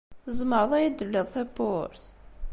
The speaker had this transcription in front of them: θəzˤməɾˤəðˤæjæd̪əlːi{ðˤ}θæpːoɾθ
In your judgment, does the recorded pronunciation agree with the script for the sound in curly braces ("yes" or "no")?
yes